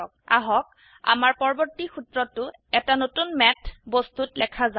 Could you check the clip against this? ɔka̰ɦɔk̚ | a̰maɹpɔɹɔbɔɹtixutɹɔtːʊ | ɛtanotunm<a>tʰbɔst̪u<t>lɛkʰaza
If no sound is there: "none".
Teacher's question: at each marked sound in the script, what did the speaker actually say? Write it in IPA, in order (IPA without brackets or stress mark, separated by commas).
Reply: ɛ, t